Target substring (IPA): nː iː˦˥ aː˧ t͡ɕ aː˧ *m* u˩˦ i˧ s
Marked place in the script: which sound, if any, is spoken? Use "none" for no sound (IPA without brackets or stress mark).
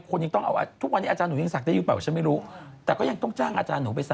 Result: n